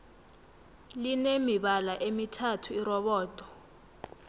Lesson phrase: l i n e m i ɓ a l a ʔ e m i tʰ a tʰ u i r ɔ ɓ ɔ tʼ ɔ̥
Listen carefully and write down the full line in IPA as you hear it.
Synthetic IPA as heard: l i n e m i ɓ a l a ʔ e m i tʰ a tʰ u i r ɔ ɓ ɔː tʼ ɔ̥